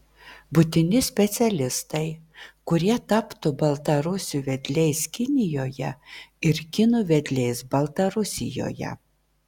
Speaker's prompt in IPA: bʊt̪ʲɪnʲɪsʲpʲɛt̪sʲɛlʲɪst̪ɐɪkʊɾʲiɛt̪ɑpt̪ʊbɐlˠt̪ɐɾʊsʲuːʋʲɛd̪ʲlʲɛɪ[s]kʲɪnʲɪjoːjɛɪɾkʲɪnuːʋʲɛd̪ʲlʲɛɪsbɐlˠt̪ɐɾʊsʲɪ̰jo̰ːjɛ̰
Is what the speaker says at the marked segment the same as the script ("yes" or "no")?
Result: yes